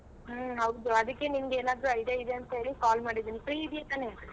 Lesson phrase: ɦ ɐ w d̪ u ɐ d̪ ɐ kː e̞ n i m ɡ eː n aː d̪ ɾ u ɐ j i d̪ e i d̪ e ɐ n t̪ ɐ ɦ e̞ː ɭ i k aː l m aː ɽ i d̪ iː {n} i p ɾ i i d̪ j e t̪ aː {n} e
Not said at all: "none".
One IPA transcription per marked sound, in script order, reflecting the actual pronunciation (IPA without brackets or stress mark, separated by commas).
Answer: n, n